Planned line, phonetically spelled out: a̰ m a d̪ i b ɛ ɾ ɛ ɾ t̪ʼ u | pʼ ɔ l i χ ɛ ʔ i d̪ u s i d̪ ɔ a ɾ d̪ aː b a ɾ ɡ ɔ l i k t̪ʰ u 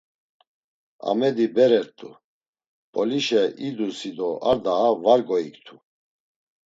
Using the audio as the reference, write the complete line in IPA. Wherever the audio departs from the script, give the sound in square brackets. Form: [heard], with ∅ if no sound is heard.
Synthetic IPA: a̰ m [ɛ] d̪ i b ɛ ɾ ɛ ɾ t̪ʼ u | pʼ ɔ l i [ʃ] ɛ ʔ i d̪ u s i d̪ ɔ a ɾ d̪ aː [v] a ɾ ɡ ɔ [∅] i k t̪ʰ u